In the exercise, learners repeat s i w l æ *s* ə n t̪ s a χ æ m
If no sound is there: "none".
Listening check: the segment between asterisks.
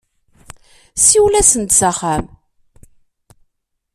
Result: s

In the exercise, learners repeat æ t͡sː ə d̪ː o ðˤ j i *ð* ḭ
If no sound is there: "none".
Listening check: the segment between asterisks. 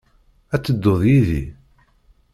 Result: ð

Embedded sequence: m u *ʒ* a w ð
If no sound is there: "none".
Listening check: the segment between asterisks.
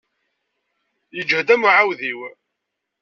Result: ʕ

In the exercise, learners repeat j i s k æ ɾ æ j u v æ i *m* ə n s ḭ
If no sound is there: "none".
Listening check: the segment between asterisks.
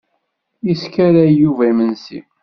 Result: m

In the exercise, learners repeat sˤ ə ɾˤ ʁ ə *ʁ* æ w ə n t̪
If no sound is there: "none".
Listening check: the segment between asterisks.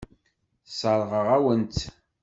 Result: ʁ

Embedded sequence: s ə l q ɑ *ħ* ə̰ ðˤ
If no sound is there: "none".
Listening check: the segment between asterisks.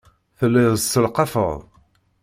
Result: f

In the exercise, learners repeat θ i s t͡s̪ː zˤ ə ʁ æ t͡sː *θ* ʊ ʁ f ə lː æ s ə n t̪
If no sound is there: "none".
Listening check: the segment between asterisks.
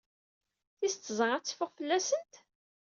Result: f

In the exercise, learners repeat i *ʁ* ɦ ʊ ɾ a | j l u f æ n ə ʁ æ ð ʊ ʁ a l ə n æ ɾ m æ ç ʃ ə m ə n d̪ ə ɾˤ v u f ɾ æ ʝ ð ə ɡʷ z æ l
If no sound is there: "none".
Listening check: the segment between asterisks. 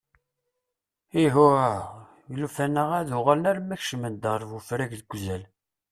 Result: none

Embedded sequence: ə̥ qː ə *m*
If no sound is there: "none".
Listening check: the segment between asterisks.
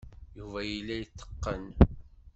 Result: n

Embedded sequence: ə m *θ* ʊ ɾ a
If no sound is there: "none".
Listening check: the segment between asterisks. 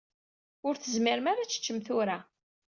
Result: θ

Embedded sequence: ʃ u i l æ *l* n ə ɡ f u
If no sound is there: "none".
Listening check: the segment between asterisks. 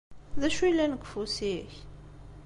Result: none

